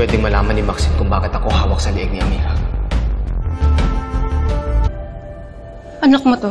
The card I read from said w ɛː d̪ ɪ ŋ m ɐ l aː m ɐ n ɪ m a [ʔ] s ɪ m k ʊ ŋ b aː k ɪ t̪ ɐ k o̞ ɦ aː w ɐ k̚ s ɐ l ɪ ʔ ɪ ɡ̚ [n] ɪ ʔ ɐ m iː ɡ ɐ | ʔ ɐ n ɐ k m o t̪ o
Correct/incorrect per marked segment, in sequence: incorrect: k, correct

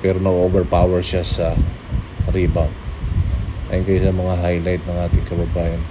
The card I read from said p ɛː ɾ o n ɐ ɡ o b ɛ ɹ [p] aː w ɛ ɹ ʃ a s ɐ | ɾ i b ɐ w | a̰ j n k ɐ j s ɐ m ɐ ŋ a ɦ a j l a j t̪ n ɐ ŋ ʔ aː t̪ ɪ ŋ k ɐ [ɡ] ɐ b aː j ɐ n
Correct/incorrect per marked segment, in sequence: correct, incorrect: b

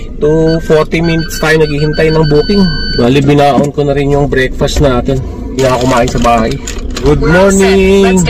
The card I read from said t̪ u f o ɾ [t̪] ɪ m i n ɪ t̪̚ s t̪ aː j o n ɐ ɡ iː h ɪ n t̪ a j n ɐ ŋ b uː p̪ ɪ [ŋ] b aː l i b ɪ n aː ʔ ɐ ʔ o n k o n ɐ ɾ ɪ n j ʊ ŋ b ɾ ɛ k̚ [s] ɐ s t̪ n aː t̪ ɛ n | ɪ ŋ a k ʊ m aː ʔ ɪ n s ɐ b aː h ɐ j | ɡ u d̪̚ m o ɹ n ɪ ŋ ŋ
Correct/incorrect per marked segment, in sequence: correct, correct, incorrect: f

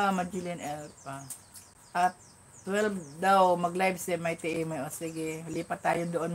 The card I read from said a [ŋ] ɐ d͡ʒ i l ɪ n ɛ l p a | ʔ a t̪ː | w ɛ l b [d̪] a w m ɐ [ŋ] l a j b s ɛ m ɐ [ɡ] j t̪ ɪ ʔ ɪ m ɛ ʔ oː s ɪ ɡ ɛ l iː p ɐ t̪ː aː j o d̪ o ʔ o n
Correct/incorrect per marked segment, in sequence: incorrect: m, correct, incorrect: ɡ, incorrect: none

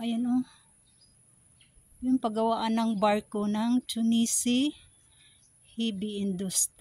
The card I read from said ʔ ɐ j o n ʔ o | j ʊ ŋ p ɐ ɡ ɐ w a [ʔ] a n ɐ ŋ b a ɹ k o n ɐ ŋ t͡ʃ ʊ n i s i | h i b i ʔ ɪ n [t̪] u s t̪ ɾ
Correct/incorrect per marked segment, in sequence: correct, incorrect: d̪

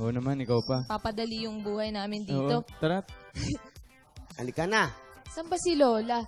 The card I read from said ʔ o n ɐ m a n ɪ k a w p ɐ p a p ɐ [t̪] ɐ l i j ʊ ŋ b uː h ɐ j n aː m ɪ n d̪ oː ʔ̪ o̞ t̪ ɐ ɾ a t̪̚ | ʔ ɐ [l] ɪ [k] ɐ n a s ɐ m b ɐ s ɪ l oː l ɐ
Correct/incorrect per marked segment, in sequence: incorrect: d̪, correct, correct

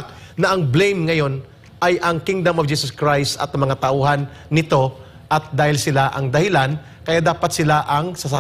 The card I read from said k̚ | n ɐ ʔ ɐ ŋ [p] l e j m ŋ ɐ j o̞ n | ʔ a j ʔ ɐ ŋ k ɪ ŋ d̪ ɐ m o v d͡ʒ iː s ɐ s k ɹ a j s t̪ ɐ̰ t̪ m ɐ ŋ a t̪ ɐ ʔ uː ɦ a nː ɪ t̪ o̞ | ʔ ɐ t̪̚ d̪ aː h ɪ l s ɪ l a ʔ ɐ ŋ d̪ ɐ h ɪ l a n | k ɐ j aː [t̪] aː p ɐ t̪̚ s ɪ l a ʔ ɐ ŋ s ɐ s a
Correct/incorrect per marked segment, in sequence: incorrect: b, incorrect: d̪

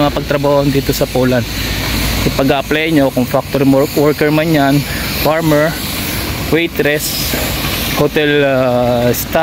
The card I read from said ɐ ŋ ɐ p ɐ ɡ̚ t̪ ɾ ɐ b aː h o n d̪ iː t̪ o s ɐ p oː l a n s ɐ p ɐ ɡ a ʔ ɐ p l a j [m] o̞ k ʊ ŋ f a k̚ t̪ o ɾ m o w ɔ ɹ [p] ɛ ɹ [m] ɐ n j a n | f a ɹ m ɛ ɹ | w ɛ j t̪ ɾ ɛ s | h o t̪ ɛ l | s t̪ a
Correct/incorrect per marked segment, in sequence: incorrect: ɲ, incorrect: k, correct

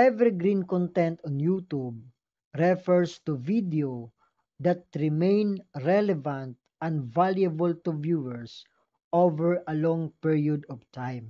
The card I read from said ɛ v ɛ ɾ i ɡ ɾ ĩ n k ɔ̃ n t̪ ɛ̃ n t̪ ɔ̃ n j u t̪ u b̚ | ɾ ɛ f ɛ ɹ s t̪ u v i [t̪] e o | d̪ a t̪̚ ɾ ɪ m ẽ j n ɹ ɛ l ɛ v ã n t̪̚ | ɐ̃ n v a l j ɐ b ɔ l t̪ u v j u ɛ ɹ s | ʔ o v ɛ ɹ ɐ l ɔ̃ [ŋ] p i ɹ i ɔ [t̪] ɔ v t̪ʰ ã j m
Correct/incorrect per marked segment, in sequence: incorrect: d̪, correct, incorrect: d̪

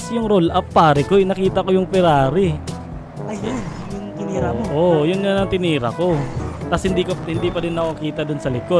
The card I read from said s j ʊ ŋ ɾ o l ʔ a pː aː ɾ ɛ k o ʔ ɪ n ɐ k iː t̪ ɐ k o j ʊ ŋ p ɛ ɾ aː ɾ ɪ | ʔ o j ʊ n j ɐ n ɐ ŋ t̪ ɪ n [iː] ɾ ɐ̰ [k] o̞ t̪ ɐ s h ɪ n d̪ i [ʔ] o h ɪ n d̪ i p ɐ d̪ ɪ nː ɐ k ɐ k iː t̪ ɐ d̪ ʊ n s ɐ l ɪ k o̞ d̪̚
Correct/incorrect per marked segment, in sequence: correct, correct, incorrect: k

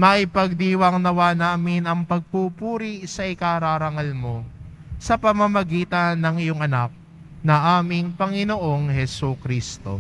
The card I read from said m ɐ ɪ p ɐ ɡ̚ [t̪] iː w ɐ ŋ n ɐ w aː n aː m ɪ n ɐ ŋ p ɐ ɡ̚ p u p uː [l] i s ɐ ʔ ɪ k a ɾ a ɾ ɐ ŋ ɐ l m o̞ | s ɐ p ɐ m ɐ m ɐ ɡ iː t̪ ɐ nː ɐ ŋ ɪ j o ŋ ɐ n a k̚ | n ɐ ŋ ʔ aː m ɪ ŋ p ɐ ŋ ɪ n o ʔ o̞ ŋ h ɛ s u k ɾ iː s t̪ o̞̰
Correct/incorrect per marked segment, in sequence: incorrect: d̪, incorrect: ɾ

